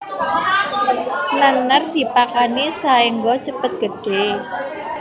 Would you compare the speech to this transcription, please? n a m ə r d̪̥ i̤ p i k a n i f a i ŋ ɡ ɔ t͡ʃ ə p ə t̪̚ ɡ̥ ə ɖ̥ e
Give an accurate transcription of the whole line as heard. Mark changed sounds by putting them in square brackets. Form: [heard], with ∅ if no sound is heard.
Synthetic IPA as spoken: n a [n] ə r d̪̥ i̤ p [a] k a n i [s] a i ŋ ɡ ɔ t͡ʃ ə p ə t̪̚ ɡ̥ ə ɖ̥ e